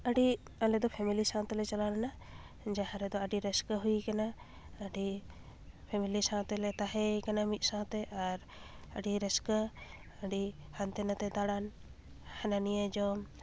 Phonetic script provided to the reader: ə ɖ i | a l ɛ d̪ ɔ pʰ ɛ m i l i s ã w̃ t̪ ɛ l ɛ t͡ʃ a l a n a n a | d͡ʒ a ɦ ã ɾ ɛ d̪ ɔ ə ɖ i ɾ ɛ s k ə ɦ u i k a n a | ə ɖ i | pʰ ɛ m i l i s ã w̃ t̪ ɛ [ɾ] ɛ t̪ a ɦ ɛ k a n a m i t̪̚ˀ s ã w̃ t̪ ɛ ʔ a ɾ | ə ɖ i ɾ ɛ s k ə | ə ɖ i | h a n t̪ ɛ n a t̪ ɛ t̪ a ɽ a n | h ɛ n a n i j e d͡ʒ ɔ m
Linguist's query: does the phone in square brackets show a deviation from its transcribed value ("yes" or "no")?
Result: yes